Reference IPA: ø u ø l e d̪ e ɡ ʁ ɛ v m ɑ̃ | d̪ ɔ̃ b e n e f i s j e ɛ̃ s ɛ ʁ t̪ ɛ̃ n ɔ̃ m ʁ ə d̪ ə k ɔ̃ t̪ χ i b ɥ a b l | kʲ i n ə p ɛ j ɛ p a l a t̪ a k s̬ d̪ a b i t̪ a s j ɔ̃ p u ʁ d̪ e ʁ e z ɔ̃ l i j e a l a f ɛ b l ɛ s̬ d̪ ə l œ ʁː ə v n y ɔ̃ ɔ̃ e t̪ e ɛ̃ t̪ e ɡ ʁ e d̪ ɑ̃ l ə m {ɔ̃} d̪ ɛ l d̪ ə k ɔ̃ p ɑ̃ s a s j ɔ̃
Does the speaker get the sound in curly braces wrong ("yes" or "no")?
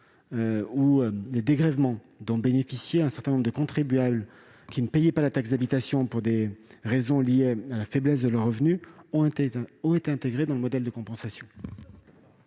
yes